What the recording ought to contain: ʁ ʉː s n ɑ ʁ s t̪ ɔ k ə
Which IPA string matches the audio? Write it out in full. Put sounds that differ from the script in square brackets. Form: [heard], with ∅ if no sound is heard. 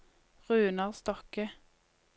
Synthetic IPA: ʁ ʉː [∅] n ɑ ʁ s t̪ ɔ k ə